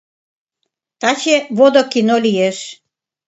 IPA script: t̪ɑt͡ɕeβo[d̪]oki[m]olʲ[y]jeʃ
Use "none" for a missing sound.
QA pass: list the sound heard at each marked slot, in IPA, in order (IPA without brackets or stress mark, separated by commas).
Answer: d̪, n, i